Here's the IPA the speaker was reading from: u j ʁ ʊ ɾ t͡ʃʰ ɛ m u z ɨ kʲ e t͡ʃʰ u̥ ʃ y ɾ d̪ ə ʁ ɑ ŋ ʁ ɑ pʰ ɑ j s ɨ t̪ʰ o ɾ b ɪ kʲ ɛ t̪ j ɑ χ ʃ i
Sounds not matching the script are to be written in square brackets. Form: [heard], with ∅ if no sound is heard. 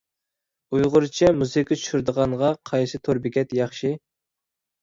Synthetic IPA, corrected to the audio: u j ʁ ʊ ɾ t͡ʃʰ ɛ m u z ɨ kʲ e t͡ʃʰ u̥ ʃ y ɾ d̪ ə ʁ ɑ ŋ ʁ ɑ [qʰ] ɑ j s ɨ t̪ʰ o ɾ b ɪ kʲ ɛ t̪ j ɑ χ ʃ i

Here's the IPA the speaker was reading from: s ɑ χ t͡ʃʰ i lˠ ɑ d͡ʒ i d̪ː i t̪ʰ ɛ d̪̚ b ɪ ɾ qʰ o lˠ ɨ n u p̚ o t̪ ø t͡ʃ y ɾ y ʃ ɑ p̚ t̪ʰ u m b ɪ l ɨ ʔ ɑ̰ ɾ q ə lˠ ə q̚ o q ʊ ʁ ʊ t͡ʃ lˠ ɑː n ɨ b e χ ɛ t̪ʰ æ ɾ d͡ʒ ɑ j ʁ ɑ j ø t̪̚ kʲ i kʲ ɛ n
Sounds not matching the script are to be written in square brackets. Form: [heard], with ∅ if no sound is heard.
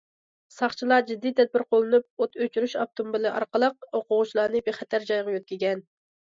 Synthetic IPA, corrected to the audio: s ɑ χ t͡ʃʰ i lˠ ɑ d͡ʒ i d̪ː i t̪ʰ ɛ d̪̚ b ɪ ɾ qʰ o lˠ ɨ n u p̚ o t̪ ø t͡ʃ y ɾ y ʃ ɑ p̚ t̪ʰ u m b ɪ l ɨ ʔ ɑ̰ ɾ q ə lˠ ə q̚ o q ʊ ʁ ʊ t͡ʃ lˠ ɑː n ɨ b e χ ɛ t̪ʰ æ ɾ d͡ʒ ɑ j ʁ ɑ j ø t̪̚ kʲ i [ɡʲ] ɛ n

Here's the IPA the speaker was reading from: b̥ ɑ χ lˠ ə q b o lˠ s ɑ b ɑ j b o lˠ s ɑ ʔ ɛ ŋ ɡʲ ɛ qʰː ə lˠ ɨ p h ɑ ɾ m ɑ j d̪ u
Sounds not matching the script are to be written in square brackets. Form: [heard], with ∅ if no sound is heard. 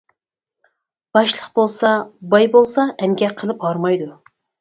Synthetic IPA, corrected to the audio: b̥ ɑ [ʃ] lˠ ə q b o lˠ s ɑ b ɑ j b o lˠ s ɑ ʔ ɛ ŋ ɡʲ ɛ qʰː ə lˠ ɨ p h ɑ ɾ m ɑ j d̪ u

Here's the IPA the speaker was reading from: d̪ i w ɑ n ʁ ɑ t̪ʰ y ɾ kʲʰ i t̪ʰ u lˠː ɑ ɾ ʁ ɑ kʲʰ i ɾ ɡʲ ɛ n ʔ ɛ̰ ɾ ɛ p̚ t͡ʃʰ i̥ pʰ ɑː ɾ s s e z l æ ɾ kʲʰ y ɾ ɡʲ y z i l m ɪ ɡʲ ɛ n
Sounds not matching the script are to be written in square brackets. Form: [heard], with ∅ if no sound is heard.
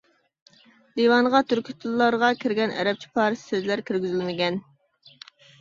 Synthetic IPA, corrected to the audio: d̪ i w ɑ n ʁ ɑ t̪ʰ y ɾ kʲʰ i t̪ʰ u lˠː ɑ ɾ ʁ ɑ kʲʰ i ɾ ɡʲ ɛ n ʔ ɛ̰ ɾ ɛ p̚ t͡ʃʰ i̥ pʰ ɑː ɾ s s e z l æ ɾ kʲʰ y ɾ ɡʲ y z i l m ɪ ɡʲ ɛ n

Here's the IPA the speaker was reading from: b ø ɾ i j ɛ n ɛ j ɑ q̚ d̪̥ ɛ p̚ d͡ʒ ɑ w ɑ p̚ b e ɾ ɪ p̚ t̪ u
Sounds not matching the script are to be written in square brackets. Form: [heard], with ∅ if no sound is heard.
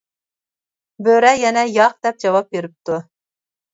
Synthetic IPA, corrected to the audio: b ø ɾ [ɛ] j ɛ n ɛ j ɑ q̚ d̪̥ ɛ p̚ d͡ʒ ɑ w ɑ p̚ b e ɾ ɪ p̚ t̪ u

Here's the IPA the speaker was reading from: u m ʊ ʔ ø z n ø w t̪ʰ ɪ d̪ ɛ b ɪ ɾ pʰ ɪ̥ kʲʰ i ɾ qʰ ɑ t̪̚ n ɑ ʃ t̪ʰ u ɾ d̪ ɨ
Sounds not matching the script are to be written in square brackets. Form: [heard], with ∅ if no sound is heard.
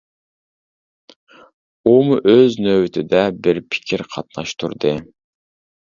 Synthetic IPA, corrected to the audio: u m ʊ ʔ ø z n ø w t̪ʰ ɪ d̪ ɛ b ɪ ɾ pʰ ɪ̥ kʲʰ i ɾ qʰ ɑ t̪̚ n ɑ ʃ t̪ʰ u ɾ d̪ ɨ

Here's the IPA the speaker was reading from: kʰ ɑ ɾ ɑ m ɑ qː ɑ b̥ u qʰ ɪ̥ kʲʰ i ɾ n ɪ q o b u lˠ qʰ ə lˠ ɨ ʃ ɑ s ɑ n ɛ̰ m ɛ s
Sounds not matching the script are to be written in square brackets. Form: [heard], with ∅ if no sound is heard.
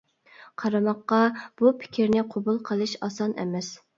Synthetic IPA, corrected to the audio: [qʰ] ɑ ɾ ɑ m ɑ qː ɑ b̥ u [pʰ] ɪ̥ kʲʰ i ɾ n ɪ [qʰ] o b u lˠ qʰ ə lˠ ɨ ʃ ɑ s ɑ n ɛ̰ m ɛ s

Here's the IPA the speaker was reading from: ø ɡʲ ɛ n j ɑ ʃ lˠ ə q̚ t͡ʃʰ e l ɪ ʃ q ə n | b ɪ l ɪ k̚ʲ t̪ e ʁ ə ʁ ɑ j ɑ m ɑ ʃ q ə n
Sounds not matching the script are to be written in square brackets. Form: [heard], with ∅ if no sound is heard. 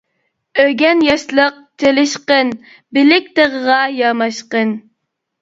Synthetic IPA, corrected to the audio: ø ɡʲ ɛ n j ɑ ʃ lˠ ə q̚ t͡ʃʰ e l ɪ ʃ q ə n | b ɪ l ɪ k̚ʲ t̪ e ʁ ə ʁ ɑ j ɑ m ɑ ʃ q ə n

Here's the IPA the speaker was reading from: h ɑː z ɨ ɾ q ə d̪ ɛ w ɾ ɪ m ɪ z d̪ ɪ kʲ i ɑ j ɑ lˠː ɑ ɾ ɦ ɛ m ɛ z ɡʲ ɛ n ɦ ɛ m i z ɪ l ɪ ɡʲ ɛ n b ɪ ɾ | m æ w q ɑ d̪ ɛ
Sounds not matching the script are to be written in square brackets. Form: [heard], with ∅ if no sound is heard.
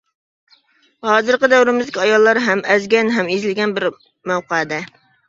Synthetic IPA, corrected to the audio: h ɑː z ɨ ɾ q ə d̪ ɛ w ɾ ɪ m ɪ z d̪ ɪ kʲ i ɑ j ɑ lˠː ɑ ɾ ɦ ɛ m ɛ z ɡʲ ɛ n ɦ ɛ m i z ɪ l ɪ ɡʲ ɛ n b ɪ ɾ | m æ w q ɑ d̪ ɛ

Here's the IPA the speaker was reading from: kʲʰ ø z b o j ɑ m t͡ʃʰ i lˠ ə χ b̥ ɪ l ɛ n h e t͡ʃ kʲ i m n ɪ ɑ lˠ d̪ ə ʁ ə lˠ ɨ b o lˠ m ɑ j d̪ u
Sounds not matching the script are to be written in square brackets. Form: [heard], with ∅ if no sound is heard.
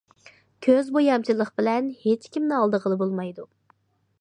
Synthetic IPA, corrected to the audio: kʲʰ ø z b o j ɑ m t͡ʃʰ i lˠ ə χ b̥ ɪ l ɛ n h e t͡ʃ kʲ i m n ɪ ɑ lˠ d̪ ə ʁ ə lˠ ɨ b o lˠ m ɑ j d̪ u

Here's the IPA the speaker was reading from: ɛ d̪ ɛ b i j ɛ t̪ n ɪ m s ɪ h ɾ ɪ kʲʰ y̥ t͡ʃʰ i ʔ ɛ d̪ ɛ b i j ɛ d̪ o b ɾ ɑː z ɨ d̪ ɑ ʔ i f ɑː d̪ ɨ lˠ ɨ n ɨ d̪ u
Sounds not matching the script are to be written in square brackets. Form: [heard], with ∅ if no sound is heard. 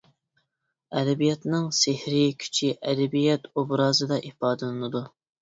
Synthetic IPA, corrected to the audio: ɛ d̪ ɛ b i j ɛ t̪ n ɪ [ŋ] s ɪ h ɾ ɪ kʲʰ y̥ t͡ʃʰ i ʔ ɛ d̪ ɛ b i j ɛ [t̪] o b ɾ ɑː z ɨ d̪ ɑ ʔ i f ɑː d̪ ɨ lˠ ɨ n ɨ d̪ u

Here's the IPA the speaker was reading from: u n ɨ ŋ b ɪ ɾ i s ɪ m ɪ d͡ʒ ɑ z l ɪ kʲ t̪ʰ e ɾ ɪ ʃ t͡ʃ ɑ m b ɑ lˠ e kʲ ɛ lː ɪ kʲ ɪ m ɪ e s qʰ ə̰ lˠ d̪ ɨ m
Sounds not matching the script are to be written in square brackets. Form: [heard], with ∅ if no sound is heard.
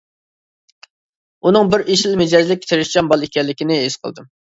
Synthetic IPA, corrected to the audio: u n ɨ ŋ b ɪ ɾ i [ʃ] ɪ m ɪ d͡ʒ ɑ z l ɪ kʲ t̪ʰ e ɾ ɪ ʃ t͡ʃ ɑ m b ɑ lˠ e kʲ ɛ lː ɪ kʲ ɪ [n] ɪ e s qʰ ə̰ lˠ d̪ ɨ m

